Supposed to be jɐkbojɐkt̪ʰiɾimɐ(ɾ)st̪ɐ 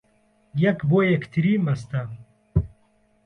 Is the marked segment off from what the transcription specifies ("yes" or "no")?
yes